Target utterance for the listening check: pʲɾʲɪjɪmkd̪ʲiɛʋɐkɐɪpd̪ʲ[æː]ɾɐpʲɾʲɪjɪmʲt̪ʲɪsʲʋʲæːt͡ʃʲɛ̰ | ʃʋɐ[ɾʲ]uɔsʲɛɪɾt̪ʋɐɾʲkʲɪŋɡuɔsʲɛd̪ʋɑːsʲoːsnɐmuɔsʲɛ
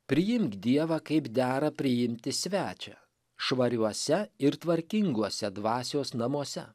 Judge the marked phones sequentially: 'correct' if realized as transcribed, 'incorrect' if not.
correct, correct

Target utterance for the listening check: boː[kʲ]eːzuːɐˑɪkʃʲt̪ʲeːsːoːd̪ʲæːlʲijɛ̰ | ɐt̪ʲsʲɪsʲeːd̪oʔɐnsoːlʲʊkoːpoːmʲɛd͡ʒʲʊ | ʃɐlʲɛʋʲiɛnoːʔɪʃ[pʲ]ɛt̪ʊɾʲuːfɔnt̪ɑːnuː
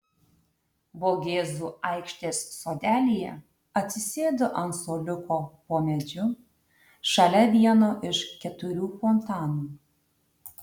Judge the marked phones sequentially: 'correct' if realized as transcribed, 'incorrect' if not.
incorrect: ɡʲ, incorrect: kʲ

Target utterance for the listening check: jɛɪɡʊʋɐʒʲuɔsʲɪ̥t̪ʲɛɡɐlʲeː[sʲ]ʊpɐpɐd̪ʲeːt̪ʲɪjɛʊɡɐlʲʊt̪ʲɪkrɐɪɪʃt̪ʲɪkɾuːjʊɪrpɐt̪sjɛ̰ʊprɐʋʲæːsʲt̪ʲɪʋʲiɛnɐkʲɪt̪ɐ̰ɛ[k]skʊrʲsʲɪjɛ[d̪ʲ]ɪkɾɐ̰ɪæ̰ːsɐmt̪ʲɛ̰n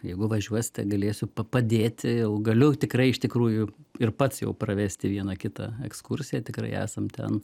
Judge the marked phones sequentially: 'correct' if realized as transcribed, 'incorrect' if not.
correct, correct, incorrect: t̪ʲ

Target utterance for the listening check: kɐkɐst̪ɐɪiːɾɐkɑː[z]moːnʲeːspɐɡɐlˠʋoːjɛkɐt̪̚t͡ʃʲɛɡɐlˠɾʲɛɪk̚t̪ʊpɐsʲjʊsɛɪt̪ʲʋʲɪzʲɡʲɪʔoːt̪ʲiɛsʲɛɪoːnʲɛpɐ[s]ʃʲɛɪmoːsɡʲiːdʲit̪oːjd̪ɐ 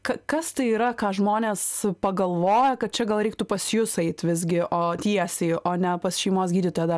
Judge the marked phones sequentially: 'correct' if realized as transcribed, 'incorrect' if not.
incorrect: ʒ, correct

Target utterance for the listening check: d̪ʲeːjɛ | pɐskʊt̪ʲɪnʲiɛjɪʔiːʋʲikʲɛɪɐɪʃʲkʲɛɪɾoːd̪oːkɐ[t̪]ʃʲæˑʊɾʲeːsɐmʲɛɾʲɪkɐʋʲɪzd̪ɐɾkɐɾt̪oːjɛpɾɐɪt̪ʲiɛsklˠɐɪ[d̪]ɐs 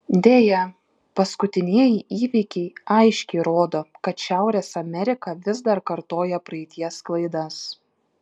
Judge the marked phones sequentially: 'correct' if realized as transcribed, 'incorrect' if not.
correct, correct

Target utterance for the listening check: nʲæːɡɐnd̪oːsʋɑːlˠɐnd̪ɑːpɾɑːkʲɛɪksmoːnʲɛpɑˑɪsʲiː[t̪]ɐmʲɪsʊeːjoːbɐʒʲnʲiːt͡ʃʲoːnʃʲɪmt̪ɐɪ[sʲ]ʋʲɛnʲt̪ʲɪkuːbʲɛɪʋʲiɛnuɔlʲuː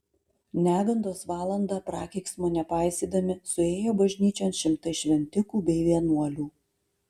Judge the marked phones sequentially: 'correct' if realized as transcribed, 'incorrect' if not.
incorrect: d̪, incorrect: ʃʲ

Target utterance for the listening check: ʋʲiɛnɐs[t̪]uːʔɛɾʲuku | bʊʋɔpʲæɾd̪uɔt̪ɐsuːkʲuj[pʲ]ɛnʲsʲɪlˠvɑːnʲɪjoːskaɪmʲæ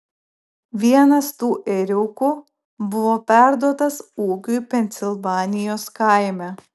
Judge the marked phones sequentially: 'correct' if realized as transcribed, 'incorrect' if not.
correct, correct

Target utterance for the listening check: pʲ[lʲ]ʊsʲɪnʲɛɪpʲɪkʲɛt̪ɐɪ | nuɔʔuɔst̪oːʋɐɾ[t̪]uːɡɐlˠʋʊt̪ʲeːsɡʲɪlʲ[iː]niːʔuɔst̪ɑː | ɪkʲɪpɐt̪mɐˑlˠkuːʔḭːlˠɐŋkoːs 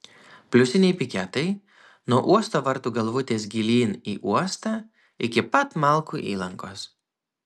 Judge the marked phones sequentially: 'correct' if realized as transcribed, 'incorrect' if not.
correct, correct, correct

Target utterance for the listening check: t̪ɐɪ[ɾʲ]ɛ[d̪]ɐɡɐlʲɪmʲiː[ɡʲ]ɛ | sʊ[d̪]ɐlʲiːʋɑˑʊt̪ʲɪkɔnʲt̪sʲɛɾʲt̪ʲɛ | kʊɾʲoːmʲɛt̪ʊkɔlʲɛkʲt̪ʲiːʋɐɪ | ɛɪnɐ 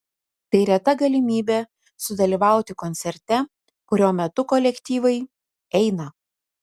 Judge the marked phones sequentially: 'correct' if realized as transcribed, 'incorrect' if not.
correct, incorrect: t̪, incorrect: bʲ, correct

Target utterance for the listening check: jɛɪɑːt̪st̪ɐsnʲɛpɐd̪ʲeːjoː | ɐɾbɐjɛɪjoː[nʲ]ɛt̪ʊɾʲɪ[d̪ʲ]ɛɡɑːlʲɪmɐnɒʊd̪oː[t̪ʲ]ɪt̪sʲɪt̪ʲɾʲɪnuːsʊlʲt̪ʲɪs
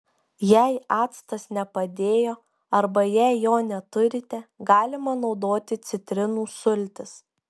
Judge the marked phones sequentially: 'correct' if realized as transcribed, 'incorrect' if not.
correct, incorrect: t̪ʲ, correct

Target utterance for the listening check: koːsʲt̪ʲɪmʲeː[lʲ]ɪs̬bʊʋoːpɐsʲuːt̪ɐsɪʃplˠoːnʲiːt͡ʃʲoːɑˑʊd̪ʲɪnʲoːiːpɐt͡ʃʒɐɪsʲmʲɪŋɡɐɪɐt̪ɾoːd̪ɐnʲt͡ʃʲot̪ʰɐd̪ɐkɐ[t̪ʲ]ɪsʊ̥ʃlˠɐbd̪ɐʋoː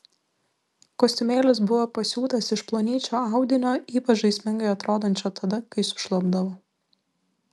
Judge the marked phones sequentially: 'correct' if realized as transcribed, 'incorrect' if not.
correct, incorrect: none

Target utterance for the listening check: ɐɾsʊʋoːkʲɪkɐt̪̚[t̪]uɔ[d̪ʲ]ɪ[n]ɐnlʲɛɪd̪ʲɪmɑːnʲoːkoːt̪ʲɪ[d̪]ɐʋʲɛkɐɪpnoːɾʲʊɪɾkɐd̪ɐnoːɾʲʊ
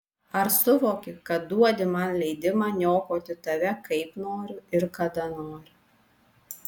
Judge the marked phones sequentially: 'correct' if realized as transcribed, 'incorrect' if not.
incorrect: d̪, correct, incorrect: m, incorrect: t̪

